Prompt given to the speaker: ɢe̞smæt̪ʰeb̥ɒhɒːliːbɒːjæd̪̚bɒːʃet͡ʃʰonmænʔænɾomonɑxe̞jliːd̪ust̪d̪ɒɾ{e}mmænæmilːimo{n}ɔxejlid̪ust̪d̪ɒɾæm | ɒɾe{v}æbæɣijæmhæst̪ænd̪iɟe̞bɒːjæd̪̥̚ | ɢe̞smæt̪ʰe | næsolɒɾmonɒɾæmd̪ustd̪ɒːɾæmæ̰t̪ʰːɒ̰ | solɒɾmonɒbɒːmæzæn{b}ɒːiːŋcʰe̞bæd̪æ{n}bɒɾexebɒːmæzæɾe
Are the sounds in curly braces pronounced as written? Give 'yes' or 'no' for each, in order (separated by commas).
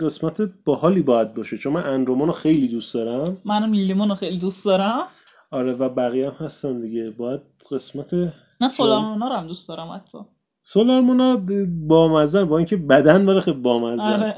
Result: no, yes, yes, yes, yes